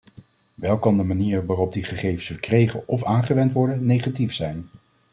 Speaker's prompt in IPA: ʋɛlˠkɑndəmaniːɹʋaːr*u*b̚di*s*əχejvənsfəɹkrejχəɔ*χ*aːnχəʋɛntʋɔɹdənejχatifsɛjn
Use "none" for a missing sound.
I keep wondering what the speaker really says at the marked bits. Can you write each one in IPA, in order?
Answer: ɔ, χ, f

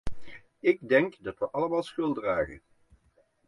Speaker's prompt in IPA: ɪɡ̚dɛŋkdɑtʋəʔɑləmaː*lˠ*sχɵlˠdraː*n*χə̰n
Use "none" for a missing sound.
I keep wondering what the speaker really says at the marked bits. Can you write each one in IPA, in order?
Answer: lˠ, none

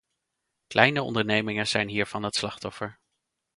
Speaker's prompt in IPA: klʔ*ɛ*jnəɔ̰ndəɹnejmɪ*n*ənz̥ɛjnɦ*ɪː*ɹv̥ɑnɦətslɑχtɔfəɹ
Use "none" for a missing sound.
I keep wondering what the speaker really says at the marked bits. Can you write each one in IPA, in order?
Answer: ɛ, ŋ, iː

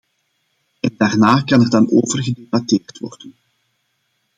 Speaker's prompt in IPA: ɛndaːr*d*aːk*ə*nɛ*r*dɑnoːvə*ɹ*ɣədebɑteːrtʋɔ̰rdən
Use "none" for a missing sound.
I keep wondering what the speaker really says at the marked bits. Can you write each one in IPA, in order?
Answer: n, ɑ, r, r

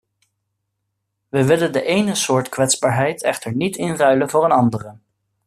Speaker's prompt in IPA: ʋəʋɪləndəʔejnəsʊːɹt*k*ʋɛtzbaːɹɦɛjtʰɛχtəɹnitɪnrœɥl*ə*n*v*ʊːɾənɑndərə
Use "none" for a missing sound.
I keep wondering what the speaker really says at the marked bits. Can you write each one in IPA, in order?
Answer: k, ə, v

